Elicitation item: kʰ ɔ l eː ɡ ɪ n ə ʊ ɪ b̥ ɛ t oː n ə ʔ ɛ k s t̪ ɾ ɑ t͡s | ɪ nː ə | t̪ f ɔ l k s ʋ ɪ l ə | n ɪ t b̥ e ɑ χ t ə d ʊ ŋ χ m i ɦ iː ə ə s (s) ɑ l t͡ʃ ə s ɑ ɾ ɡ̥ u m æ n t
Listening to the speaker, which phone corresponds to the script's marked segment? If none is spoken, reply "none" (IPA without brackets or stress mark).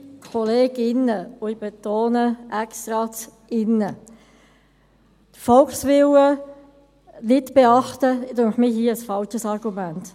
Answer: f